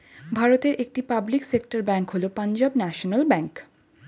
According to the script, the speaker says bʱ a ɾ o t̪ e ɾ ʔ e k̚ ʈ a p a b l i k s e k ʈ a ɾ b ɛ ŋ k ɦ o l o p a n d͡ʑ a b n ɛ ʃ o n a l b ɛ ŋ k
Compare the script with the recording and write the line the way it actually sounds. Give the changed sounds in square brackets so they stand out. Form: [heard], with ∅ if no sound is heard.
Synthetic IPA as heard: bʱ a ɾ o t̪ e ɾ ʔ e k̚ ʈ [i] p a b l i k s e k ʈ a ɾ b ɛ ŋ k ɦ o l o p a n d͡ʑ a b n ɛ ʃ o n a l b ɛ ŋ k